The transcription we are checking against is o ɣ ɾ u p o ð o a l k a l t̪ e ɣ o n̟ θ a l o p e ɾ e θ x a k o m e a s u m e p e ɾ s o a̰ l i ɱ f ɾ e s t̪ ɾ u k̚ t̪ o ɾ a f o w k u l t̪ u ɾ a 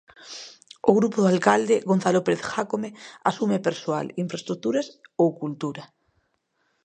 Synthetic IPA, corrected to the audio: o ɣ ɾ u p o ð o a l k a l d̪ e ɣ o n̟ θ a l o p e ɾ e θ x a k o m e a s u m e p e ɾ s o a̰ l i ɱ f ɾ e s t̪ ɾ u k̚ t̪ u ɾ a s o w k u l t̪ u ɾ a